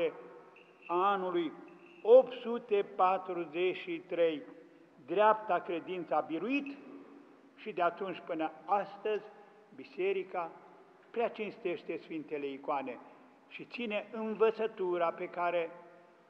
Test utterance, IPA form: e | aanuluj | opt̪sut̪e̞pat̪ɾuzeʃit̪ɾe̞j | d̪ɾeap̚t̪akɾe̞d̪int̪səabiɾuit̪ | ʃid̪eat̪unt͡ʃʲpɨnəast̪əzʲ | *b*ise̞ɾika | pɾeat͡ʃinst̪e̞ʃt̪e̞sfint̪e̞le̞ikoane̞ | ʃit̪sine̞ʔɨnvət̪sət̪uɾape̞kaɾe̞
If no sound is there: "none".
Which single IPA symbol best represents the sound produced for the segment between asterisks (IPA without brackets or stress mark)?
b